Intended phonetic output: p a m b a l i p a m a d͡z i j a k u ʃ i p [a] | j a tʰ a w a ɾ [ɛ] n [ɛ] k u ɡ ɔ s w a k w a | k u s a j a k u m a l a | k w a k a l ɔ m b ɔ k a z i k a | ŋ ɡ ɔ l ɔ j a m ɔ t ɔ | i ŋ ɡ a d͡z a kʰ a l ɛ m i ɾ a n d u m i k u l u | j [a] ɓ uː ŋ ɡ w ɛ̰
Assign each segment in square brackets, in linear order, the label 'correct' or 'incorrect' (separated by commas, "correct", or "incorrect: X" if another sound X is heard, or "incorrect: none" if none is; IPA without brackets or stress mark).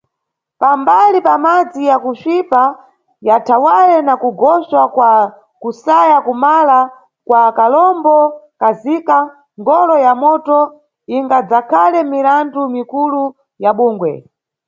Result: correct, correct, incorrect: a, correct